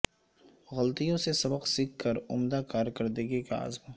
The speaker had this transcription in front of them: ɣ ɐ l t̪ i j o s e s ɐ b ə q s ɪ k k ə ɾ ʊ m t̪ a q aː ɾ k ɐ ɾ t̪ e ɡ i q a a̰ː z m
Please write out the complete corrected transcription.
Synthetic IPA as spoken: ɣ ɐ l t̪ i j õ s e s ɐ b ə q s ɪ k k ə ɾ ʊ m d̪ a k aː ɾ k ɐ ɾ d̪ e ɡ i k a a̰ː z m